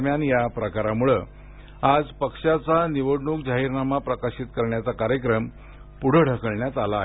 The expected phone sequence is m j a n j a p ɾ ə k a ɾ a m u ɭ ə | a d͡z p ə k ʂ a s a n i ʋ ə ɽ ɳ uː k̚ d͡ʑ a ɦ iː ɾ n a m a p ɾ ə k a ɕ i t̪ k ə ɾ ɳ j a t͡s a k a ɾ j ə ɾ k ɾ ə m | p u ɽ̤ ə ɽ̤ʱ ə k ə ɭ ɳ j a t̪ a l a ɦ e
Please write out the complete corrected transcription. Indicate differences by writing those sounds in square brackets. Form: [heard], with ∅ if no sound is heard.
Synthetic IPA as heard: m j a n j a p ɾ ə k a ɾ a m u ɭ ə | a d͡z p ə k ʂ a [t͡s] a n i ʋ ə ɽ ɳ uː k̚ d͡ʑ a ɦ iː ɾ n a m a p ɾ ə k a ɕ i t̪ k ə ɾ ɳ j a t͡s a k a ɾ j ə [∅] k ɾ ə m | p u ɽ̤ ə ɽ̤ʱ ə k ə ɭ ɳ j a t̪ a l a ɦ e